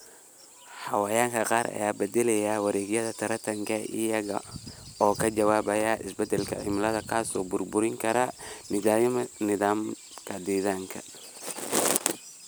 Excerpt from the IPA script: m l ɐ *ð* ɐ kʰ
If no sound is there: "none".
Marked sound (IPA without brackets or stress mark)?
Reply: ð